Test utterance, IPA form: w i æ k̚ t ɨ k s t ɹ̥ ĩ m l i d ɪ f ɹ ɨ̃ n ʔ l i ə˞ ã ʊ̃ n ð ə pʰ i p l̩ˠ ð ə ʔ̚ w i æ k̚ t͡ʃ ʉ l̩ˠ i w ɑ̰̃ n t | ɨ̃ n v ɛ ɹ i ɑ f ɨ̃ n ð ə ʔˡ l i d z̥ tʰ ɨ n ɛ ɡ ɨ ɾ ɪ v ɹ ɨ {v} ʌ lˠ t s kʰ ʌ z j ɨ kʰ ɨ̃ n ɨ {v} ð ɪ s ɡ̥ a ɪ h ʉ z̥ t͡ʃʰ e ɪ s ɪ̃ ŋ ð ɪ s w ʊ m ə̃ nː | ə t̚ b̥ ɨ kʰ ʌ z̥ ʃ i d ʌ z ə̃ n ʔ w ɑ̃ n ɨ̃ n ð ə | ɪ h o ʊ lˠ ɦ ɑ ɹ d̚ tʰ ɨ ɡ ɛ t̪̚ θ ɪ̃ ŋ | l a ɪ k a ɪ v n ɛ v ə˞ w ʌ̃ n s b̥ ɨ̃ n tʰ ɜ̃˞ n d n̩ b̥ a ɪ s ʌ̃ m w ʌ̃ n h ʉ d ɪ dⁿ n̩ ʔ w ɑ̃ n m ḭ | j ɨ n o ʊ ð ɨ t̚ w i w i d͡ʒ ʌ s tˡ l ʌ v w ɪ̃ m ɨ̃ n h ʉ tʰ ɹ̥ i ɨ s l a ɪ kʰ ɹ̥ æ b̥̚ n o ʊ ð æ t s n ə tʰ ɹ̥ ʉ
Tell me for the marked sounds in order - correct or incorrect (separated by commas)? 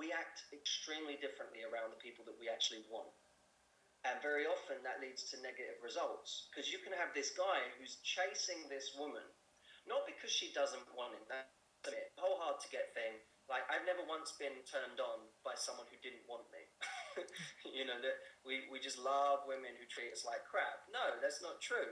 incorrect, correct